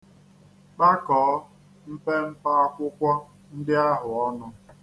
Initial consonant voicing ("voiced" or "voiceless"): voiceless